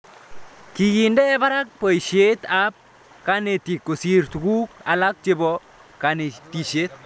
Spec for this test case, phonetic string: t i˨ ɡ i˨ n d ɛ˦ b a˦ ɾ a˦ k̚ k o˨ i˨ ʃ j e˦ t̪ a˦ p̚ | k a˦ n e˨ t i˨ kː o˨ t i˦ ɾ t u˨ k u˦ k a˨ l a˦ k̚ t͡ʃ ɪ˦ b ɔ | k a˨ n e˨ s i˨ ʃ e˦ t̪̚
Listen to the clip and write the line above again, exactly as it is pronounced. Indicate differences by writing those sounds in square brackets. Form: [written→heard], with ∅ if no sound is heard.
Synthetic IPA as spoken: [t→k] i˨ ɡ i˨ n d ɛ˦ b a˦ ɾ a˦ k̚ [k→p] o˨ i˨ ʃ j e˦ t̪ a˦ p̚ | k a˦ n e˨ t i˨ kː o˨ [t→s] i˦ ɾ t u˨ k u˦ k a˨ l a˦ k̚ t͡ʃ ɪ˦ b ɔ | k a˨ n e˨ [s→t] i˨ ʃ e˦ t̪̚